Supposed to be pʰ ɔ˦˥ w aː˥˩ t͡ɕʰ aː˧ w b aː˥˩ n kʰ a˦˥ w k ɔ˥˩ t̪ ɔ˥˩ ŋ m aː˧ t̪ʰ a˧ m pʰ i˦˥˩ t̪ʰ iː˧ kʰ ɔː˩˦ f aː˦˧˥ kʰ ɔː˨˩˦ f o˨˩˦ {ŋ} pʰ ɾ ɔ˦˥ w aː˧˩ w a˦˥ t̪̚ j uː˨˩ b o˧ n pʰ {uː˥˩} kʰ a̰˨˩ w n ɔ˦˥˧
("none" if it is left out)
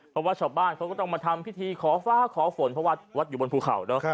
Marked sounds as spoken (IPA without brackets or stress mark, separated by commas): n, uː˧